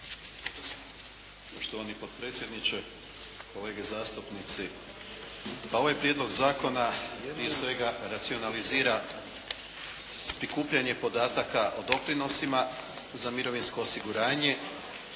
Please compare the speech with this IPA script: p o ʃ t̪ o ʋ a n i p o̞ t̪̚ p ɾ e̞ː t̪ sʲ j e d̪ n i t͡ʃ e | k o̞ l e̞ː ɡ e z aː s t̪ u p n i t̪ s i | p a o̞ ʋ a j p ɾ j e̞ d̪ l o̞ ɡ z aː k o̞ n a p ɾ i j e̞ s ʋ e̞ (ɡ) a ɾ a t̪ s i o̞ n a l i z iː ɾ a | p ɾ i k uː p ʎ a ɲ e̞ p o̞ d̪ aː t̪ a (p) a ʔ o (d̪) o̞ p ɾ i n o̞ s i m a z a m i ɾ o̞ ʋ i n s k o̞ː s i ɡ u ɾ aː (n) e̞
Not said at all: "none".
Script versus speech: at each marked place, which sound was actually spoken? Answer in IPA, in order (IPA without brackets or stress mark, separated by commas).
ɡ, k, d̪, ɲ